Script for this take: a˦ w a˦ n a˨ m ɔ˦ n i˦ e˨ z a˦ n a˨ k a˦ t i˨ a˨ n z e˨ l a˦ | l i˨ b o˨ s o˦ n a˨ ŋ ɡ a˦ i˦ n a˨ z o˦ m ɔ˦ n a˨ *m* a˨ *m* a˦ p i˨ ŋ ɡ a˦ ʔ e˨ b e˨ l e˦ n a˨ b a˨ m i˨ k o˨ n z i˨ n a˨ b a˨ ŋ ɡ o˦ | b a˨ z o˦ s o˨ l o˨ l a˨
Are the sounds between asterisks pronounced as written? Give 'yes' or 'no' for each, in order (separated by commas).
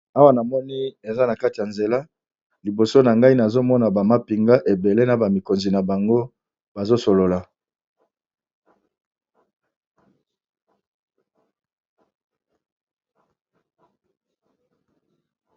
no, yes